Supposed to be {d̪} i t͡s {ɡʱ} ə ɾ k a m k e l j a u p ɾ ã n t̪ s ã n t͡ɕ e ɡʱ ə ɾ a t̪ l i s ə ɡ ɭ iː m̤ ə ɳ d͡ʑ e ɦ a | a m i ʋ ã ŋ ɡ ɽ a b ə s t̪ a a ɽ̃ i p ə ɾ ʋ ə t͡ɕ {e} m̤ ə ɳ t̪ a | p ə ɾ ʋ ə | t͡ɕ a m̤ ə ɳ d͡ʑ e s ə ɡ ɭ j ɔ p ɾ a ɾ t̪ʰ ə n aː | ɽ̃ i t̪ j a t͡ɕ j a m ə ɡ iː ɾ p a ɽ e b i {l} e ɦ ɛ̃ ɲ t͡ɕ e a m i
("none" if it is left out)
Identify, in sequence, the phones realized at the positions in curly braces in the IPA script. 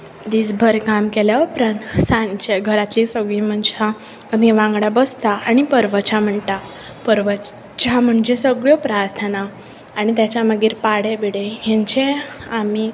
d̪, bʱ, a, ɽ

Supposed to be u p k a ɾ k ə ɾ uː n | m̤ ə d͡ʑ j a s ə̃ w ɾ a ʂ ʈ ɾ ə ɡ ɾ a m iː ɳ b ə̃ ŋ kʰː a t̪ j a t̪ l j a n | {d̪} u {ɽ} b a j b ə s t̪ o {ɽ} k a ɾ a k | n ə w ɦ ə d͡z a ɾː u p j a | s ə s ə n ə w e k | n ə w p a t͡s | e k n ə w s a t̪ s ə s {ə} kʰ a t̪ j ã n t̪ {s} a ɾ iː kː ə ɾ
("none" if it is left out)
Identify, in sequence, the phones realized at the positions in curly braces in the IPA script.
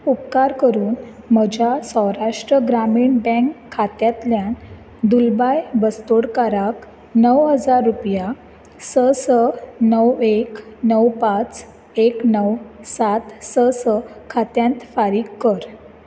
d̪, l, ɽ, ə, f

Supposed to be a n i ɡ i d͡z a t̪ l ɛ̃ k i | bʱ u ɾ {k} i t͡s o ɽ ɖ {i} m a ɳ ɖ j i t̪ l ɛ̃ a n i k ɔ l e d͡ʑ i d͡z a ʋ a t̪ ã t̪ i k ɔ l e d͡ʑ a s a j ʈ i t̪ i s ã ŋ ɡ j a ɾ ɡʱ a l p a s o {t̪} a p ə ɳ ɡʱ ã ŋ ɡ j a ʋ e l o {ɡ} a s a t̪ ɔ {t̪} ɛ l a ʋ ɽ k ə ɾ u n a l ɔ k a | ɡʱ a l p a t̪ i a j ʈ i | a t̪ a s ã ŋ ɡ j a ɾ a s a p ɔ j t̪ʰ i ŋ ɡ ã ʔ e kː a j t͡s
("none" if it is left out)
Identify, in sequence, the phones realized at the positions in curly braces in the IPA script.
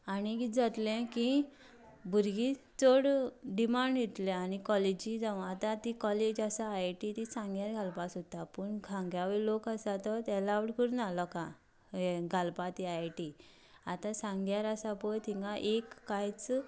ɡ, i, t̪, k, t̪

